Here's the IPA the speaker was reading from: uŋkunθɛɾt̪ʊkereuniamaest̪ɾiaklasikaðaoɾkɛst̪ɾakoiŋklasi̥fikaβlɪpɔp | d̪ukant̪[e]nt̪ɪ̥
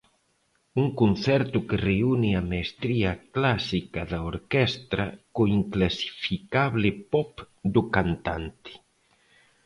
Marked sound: incorrect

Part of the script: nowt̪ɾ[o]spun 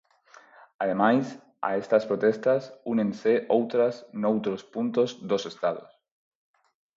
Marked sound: correct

